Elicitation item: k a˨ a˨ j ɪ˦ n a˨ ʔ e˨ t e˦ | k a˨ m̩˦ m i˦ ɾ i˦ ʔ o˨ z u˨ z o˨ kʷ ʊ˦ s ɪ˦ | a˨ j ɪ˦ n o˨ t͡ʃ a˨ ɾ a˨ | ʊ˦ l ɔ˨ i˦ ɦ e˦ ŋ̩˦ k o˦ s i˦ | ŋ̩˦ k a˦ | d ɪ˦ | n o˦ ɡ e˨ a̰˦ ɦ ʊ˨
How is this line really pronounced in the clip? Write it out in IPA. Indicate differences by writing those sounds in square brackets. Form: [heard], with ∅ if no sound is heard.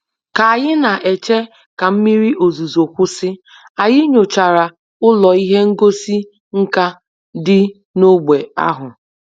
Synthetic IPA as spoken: k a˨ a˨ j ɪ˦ n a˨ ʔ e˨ [t͡ʃ] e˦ | k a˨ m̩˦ m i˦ ɾ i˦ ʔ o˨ z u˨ z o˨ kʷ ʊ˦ s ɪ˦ | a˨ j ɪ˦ [ɲ] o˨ t͡ʃ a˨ ɾ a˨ | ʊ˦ l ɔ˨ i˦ ɦ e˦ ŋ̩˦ [ɡ] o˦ s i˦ | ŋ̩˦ k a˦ | d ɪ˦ | n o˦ [ɡ͡b] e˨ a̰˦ ɦ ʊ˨